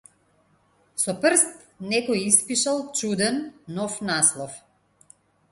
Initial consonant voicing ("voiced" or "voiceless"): voiceless